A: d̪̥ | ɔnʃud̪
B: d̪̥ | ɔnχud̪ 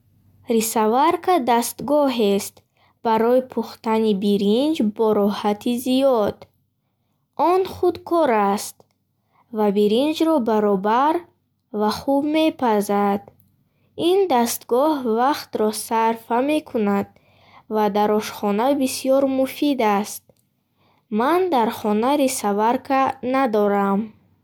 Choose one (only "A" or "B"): B